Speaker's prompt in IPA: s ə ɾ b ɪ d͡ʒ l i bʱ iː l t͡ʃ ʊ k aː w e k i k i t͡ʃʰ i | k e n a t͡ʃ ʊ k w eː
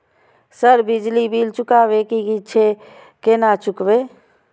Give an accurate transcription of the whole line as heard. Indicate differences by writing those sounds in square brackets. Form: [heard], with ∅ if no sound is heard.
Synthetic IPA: s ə ɾ b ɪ d͡ʒ l i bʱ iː l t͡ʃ ʊ k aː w e k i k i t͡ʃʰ [e] | k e n a t͡ʃ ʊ k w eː